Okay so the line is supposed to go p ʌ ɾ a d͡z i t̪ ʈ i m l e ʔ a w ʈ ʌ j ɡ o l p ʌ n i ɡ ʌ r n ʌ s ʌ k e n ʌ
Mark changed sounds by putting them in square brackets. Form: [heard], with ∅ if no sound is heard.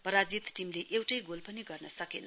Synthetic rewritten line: p ʌ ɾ a d͡z i t̪ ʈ i m l e ʔ [e] w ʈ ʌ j ɡ o l p ʌ n i ɡ ʌ r n ʌ s ʌ k e n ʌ